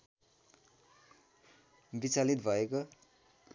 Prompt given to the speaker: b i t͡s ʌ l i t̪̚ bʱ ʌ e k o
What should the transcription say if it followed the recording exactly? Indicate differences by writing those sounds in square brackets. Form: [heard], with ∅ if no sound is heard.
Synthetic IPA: b i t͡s [a] l i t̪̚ bʱ ʌ e k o